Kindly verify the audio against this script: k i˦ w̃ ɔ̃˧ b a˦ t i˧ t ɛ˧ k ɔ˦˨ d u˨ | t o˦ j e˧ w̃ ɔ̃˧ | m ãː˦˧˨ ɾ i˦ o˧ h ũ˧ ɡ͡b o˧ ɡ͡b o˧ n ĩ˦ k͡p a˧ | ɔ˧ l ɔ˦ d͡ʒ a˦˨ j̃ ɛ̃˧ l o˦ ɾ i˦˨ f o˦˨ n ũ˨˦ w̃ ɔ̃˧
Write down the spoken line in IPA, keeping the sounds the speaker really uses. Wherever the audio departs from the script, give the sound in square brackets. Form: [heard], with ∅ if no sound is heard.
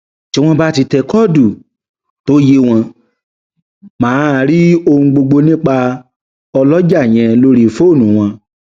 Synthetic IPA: [t] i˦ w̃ ɔ̃˧ b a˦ t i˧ t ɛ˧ k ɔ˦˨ d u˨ | t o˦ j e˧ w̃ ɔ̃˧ | m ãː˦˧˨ ɾ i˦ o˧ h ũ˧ ɡ͡b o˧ ɡ͡b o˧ n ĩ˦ k͡p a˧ | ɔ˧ l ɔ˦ d͡ʒ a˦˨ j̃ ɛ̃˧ l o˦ ɾ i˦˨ f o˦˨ n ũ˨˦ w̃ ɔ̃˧